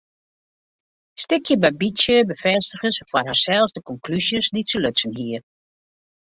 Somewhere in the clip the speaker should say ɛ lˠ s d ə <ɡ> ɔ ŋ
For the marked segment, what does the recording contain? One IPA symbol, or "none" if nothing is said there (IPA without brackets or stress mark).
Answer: k